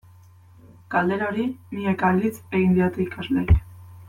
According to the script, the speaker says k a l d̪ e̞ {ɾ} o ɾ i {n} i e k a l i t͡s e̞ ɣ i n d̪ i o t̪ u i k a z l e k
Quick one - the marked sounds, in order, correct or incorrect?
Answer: correct, correct

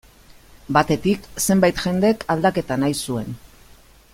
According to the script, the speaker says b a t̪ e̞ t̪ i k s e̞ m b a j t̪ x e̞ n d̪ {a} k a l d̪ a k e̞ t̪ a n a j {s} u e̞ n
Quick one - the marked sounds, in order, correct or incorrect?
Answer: incorrect, correct

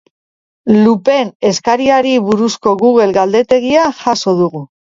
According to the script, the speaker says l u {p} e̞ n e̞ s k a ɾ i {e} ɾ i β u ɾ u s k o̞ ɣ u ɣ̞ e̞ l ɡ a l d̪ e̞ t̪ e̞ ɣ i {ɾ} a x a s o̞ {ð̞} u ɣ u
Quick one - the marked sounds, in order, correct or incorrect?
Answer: correct, incorrect, incorrect, correct

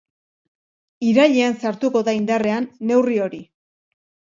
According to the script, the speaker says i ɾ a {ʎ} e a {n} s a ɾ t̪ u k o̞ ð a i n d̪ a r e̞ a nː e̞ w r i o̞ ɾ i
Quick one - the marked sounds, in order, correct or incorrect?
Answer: correct, correct

